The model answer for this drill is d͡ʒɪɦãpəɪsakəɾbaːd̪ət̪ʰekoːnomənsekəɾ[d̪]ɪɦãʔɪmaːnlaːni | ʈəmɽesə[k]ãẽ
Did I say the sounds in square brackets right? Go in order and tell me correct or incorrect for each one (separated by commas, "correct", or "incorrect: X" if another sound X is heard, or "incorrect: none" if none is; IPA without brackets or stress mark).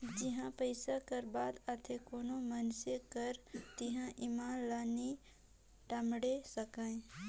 incorrect: t̪, correct